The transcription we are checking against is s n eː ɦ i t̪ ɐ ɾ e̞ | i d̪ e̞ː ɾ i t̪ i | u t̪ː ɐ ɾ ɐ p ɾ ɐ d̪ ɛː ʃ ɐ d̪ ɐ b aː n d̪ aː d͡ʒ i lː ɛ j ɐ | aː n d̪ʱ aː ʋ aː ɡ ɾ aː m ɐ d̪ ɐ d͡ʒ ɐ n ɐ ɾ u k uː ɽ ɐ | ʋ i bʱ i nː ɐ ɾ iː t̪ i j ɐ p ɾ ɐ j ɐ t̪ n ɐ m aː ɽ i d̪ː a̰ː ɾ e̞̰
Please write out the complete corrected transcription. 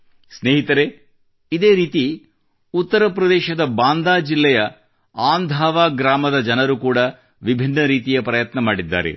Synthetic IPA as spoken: s n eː ɦ i t̪ ɐ ɾ e̞ | i d̪ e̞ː ɾ iː t̪ i | u t̪ː ɐ ɾ ɐ p ɾ ɐ d̪ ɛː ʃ ɐ d̪ ɐ b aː n d̪ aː d͡ʒ i lː ɛ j ɐ | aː n d̪ʱ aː ʋ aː ɡ ɾ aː m ɐ d̪ ɐ d͡ʒ ɐ n ɐ ɾ u k uː ɽ ɐ | ʋ i bʱ i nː ɐ ɾ iː t̪ i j ɐ p ɾ ɐ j ɐ t̪ n ɐ m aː ɽ i d̪ː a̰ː ɾ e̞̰